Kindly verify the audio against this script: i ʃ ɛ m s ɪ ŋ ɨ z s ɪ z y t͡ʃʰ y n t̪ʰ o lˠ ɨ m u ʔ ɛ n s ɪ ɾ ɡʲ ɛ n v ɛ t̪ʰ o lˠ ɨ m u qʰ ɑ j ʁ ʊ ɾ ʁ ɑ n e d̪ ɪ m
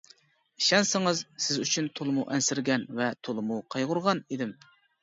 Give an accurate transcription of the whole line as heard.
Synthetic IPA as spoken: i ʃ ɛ n s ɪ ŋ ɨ z s ɪ z y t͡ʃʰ y n t̪ʰ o lˠ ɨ m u ʔ ɛ n s ɪ ɾ ɡʲ ɛ n v ɛ t̪ʰ o lˠ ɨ m u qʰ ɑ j ʁ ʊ ɾ ʁ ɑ n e d̪ ɪ m